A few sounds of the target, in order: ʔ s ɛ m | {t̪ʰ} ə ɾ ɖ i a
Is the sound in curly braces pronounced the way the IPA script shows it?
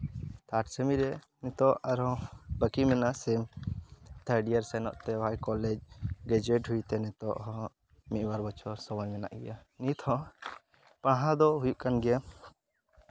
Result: yes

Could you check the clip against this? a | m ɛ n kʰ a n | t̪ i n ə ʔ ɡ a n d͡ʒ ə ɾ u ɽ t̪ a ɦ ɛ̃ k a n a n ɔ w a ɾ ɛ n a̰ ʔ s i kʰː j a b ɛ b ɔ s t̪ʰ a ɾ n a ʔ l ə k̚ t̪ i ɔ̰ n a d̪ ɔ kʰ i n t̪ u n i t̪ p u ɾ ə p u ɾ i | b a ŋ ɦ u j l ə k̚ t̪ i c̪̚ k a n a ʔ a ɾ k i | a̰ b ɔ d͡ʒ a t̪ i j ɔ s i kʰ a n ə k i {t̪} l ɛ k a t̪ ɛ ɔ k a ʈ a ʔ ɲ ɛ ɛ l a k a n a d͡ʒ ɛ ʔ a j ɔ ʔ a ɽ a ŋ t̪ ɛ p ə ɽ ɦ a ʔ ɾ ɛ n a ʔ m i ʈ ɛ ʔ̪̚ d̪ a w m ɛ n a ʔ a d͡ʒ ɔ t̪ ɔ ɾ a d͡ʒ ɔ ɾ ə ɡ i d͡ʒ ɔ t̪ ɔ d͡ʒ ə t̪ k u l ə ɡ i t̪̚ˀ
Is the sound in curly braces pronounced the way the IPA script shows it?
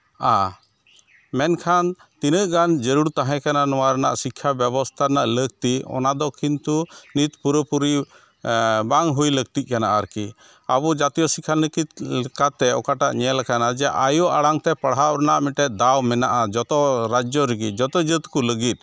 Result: yes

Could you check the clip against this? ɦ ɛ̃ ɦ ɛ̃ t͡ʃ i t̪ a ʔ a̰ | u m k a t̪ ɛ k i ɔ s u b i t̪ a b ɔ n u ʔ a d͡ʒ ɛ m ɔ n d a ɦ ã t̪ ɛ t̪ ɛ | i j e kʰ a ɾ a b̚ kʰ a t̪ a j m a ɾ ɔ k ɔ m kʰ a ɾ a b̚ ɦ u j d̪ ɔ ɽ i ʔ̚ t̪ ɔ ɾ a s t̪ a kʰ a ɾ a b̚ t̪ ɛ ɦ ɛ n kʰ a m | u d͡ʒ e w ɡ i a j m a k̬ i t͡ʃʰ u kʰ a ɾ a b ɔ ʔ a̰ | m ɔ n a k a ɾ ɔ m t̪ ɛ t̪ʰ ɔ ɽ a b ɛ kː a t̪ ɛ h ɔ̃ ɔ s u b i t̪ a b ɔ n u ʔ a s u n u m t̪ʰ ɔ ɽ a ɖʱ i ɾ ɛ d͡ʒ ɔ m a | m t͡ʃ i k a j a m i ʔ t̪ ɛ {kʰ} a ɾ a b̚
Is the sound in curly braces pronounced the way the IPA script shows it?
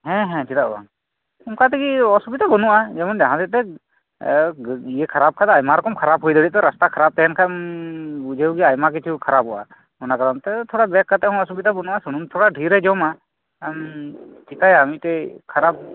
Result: yes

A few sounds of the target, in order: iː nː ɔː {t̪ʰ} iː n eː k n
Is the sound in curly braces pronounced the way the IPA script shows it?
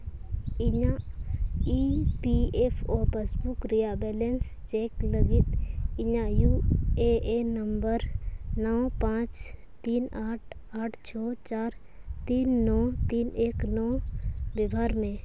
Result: no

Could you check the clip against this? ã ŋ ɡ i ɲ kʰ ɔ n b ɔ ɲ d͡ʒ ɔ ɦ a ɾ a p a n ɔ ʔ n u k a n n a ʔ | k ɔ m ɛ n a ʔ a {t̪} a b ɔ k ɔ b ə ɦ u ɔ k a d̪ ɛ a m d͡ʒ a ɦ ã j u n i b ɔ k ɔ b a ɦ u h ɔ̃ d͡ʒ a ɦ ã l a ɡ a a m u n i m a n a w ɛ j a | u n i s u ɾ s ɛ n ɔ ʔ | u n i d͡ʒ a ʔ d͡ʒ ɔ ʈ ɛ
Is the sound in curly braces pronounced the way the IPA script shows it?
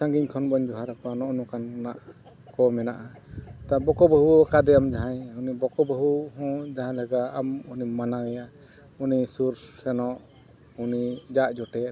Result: yes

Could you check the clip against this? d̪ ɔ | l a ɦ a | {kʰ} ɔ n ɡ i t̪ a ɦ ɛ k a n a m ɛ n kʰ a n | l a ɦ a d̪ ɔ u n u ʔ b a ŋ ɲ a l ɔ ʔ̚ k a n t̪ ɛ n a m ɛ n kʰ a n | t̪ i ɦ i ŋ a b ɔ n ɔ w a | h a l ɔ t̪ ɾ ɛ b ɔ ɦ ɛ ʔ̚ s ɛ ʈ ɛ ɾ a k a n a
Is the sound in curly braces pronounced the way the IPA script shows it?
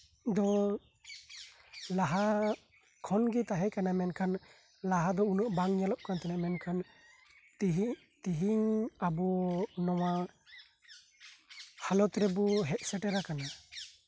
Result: yes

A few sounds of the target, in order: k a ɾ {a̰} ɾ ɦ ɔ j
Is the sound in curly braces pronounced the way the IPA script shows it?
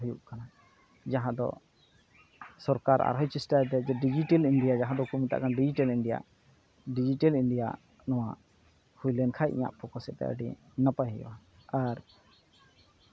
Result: yes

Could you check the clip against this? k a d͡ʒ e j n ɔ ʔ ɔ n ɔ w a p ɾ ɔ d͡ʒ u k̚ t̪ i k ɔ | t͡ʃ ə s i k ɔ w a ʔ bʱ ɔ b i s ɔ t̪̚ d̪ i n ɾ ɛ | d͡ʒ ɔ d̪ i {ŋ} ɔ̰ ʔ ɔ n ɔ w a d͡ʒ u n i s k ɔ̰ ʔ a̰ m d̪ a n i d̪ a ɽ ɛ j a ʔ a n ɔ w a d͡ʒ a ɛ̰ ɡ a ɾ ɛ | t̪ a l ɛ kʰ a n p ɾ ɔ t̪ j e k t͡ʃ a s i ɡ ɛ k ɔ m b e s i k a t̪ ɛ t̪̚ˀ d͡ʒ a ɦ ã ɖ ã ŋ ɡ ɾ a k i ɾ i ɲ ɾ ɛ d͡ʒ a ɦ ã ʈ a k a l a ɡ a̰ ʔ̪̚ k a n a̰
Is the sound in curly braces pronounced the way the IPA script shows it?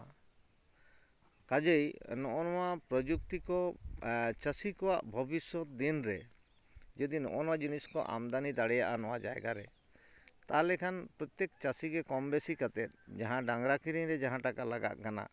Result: no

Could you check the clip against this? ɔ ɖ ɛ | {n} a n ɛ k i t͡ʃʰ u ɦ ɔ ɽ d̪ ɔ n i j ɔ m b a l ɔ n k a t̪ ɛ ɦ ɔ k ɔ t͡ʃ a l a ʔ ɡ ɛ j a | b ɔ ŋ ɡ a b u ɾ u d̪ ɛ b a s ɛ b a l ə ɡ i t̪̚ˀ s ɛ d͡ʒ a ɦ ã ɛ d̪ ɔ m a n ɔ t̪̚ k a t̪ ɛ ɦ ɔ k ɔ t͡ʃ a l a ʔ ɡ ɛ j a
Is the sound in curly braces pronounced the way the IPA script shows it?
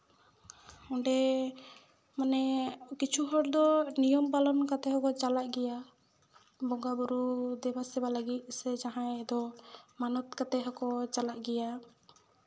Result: no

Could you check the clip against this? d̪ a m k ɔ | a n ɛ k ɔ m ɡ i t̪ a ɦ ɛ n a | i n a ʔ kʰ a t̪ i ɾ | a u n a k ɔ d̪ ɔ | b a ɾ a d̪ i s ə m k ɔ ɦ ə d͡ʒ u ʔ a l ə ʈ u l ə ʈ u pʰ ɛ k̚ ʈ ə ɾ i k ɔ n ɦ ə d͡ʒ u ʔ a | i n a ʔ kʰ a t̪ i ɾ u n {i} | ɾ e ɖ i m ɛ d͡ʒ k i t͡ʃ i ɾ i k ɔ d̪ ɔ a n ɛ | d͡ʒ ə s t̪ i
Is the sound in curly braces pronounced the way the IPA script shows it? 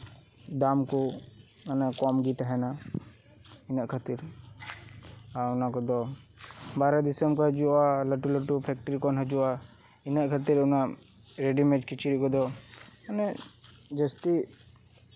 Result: no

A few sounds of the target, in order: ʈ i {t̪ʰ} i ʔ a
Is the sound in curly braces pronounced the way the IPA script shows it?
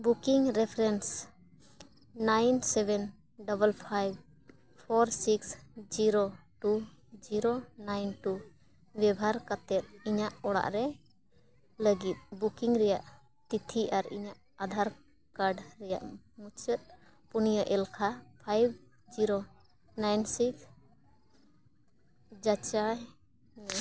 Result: yes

